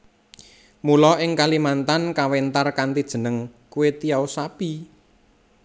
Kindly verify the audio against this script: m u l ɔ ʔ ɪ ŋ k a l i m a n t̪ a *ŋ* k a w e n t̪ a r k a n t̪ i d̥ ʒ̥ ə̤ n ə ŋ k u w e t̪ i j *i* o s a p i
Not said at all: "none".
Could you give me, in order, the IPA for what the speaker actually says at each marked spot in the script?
n, a

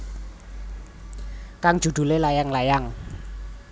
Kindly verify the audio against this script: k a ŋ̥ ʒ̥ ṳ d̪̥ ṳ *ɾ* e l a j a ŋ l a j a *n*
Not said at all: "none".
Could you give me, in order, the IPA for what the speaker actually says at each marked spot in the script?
l, ŋ

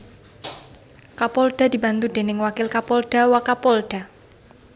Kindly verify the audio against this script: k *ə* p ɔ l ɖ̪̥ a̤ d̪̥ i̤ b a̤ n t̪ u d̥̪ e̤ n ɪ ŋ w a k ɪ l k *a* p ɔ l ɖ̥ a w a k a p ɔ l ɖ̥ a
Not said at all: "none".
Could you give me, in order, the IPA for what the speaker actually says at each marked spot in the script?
a, a

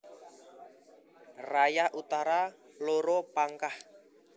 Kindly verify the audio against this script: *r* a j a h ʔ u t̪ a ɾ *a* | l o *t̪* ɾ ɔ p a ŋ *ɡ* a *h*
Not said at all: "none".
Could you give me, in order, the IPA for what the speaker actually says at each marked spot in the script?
r, a, none, k, h

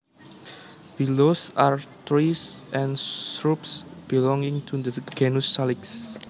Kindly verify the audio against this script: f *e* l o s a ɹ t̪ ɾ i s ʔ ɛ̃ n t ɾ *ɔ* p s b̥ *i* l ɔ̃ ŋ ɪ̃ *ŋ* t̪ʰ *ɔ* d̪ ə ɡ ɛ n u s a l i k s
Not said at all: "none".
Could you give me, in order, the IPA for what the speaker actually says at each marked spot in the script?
i, u, i, ŋ, u

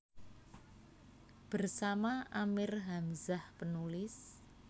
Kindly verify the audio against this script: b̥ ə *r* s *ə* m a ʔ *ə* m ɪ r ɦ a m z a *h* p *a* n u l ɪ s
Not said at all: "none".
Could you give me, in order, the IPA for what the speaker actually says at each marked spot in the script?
r, a, a, h, ə

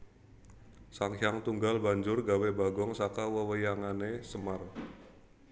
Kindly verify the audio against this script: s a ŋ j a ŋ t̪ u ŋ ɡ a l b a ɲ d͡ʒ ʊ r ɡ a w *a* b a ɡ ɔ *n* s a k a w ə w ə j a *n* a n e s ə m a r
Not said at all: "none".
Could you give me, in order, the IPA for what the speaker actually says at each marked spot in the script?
e, ŋ, ŋ

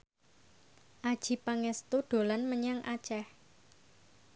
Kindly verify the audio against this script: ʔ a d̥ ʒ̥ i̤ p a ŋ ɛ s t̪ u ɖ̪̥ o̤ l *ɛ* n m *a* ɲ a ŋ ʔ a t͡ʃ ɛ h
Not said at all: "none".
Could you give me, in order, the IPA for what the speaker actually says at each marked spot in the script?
a, ə

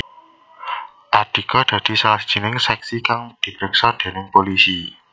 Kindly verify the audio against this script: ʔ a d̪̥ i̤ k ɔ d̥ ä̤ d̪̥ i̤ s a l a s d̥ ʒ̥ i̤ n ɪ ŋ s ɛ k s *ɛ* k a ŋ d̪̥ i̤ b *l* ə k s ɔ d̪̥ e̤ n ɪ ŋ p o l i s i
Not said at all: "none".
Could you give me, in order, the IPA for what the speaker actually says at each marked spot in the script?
i, ɾ

